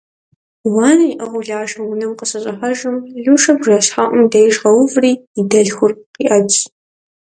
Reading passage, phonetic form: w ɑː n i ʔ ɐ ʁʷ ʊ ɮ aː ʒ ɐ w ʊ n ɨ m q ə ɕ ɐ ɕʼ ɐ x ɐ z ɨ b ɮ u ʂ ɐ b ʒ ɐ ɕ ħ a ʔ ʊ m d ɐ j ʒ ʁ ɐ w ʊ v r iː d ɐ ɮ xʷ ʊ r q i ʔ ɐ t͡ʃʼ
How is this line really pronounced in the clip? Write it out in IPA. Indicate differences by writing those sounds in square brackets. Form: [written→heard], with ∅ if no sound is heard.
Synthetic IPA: w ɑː n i ʔ ɐ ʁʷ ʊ ɮ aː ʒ ɐ w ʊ n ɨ m q ə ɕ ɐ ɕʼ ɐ [x→ħ] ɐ [z→ʒ] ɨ [b→m] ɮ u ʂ ɐ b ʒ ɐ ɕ ħ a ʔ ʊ m d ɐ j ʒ ʁ ɐ w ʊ v r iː d ɐ ɮ xʷ ʊ r q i ʔ ɐ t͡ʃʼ